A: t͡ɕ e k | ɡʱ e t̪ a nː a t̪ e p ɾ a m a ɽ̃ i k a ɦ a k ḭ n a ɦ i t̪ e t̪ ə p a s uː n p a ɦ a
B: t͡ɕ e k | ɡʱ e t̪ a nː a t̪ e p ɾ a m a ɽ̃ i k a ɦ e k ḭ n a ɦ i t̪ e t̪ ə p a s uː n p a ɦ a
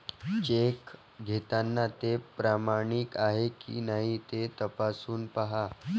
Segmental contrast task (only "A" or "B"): B